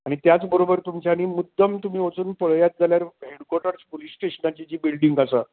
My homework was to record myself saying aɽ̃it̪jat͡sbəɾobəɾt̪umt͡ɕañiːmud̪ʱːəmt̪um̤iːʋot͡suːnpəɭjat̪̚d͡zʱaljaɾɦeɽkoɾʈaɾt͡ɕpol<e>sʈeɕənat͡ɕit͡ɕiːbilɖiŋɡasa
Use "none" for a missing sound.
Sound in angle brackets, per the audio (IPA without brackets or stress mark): i